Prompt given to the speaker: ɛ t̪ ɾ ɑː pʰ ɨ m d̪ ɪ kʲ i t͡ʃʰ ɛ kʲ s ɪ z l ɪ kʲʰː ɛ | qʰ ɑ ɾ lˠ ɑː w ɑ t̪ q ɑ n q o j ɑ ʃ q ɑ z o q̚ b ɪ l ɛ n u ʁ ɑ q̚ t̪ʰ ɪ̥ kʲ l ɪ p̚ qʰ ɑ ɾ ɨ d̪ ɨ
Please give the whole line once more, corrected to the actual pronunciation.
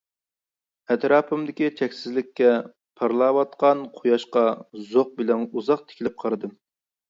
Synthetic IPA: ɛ t̪ ɾ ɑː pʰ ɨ m d̪ ɪ kʲ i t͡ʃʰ ɛ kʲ s ɪ z l ɪ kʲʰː ɛ | pʰ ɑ ɾ lˠ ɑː w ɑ t̪ q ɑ n qʰ o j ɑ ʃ q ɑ z o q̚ b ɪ l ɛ n u z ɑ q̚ t̪ʰ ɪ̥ kʲ l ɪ p̚ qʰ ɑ ɾ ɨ d̪ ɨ